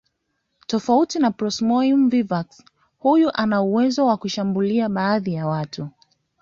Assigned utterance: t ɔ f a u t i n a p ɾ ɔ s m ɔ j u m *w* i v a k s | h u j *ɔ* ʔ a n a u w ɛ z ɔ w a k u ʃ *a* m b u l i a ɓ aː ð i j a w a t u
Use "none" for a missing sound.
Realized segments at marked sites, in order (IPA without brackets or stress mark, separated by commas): v, u, a